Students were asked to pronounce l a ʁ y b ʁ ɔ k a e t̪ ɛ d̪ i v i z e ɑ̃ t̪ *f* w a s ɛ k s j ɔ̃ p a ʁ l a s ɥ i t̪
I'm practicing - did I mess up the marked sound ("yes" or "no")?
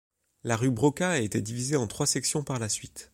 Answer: yes